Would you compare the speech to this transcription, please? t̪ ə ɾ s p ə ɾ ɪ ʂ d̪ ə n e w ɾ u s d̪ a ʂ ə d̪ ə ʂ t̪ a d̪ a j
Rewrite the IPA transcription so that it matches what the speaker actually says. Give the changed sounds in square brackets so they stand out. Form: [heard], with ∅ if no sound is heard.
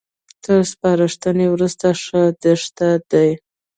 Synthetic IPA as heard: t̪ ə ɾ s p [ɑ] ɾ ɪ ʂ [t̪] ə n e w ɾ u s [t̪] a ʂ ə d̪ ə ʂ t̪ a d̪ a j